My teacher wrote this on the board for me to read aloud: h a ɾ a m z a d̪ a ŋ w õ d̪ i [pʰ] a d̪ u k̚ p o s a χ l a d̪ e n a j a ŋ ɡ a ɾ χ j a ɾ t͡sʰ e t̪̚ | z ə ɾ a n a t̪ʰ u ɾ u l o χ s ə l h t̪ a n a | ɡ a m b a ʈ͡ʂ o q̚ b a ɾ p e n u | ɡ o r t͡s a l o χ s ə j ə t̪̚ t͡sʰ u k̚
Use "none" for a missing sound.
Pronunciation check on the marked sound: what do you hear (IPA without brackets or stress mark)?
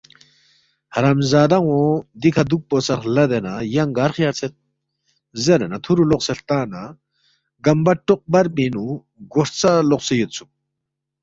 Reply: kʰ